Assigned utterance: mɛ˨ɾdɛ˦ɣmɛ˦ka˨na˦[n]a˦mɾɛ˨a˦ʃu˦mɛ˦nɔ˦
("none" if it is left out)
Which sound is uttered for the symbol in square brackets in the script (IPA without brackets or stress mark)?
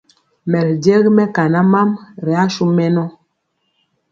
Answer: m